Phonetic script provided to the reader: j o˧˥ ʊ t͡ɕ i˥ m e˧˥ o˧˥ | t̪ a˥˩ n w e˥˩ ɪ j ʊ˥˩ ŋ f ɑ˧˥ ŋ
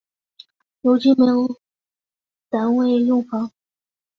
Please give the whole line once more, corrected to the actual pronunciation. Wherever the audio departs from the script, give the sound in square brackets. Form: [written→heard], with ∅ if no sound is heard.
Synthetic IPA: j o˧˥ ʊ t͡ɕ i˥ m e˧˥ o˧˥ | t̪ [a˥˩→a˧˥] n w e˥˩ ɪ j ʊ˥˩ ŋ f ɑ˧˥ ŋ

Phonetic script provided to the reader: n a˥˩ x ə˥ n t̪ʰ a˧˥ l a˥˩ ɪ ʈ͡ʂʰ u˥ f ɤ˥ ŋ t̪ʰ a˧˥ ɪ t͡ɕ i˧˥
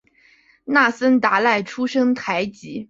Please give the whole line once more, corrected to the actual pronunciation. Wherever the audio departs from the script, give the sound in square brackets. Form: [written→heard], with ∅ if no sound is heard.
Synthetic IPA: n a˥˩ [x→s] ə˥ n [t̪ʰ→t̪] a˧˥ l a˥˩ ɪ ʈ͡ʂʰ u˥ [f→ʂ] ɤ˥ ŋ t̪ʰ a˧˥ ɪ t͡ɕ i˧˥

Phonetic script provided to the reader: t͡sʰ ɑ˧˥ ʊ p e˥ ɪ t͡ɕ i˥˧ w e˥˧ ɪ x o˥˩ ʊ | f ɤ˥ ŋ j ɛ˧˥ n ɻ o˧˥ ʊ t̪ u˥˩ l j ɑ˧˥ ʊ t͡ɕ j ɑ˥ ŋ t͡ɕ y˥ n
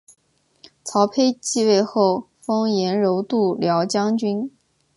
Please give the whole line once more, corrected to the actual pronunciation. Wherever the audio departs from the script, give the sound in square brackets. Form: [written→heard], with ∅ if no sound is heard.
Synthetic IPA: t͡sʰ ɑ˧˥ ʊ [p→pʰ] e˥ ɪ t͡ɕ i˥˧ w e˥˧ ɪ x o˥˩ ʊ | f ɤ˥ ŋ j ɛ˧˥ n ɻ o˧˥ ʊ t̪ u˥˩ l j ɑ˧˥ ʊ t͡ɕ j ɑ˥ ŋ t͡ɕ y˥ n

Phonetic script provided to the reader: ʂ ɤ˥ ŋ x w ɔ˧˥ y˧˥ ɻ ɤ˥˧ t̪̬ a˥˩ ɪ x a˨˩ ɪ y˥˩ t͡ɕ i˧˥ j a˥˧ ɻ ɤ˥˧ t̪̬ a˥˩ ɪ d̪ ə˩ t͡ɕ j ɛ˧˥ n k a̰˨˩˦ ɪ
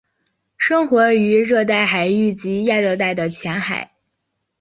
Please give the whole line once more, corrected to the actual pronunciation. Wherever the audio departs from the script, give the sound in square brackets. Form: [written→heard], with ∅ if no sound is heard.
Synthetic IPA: ʂ ɤ˥ ŋ x w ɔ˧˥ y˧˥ ɻ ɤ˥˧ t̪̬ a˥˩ ɪ x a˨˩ ɪ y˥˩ t͡ɕ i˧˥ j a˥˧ ɻ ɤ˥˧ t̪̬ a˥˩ ɪ d̪ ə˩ [t͡ɕ→t͡ɕʰ] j ɛ˧˥ n [k→x] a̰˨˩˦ ɪ

